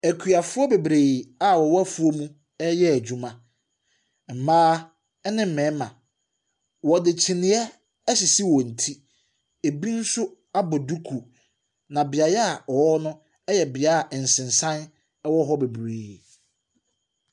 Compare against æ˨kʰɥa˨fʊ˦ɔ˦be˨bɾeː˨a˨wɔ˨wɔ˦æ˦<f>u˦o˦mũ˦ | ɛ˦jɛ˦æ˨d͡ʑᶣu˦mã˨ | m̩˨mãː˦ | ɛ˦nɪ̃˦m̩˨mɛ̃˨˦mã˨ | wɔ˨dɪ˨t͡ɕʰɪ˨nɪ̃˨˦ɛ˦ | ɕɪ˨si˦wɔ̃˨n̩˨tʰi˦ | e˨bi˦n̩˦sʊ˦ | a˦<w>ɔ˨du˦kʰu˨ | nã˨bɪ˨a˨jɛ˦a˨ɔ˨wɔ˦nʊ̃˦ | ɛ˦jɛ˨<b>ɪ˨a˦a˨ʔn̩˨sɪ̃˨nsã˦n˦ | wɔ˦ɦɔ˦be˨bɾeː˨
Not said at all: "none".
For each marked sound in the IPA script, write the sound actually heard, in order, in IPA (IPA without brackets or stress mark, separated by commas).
f, b, b